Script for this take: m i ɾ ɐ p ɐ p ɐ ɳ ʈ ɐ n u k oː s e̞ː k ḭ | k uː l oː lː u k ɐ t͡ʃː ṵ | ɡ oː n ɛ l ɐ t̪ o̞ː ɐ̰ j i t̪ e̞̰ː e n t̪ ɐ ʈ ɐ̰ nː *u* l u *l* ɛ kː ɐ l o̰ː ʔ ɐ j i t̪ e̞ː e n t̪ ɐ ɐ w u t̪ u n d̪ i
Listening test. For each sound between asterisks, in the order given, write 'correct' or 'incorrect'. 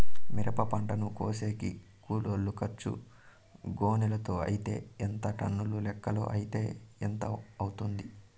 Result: correct, correct

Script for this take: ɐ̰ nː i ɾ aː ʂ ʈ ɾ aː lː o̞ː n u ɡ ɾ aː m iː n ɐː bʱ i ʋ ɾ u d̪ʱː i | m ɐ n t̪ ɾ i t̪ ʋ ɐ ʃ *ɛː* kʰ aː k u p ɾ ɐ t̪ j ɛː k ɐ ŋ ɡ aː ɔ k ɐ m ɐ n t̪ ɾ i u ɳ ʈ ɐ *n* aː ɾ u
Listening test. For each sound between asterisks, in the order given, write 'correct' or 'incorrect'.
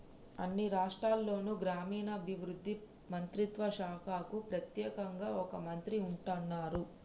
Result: incorrect, incorrect

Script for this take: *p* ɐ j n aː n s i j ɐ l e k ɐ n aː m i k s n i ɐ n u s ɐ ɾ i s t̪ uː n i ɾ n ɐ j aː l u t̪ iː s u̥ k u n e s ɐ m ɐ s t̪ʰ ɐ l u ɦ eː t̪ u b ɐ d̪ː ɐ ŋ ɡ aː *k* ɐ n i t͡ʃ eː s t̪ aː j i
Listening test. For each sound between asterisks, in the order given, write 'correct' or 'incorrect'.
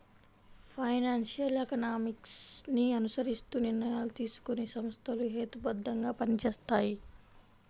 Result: incorrect, incorrect

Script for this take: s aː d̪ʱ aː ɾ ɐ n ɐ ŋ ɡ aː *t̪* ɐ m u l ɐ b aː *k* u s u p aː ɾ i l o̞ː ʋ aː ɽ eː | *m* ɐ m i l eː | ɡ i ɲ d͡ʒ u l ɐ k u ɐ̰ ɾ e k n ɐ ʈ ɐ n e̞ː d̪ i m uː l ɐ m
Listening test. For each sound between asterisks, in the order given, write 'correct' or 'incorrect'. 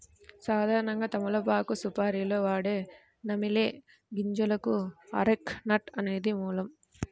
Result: correct, correct, incorrect

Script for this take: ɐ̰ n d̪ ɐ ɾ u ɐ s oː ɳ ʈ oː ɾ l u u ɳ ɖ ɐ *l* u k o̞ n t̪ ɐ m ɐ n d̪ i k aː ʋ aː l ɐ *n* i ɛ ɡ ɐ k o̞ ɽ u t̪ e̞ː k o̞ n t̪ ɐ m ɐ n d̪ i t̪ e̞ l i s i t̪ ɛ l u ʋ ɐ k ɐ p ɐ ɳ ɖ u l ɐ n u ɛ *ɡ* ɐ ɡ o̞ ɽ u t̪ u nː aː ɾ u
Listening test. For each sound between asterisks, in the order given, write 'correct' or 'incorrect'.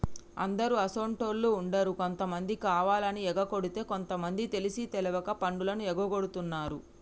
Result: incorrect, correct, correct

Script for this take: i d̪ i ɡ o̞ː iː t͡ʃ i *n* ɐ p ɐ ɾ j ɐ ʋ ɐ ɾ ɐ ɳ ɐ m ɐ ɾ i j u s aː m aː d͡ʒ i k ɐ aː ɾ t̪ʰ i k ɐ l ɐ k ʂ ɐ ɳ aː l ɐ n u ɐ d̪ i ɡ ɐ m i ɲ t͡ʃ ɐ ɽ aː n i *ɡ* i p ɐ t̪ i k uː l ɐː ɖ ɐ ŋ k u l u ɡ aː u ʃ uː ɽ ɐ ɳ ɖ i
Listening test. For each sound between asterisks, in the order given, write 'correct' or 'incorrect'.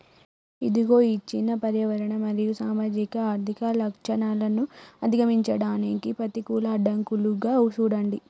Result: incorrect, incorrect

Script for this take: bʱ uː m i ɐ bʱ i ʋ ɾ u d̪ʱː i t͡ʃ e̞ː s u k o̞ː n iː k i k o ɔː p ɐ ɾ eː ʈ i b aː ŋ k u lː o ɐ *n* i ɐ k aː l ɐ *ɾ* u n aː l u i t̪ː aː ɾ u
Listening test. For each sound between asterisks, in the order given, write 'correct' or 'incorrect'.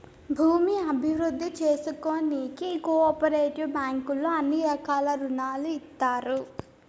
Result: incorrect, correct

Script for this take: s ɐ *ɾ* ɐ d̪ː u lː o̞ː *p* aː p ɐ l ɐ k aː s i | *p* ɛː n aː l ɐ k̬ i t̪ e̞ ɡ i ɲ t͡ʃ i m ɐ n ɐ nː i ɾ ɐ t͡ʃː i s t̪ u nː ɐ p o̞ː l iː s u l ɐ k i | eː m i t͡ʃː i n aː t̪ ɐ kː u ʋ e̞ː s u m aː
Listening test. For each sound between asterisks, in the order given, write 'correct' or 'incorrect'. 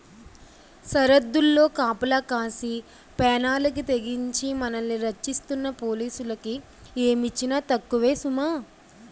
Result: correct, incorrect, correct

